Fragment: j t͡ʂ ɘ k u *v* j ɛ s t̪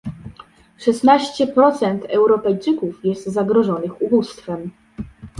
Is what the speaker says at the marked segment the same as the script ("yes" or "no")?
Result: no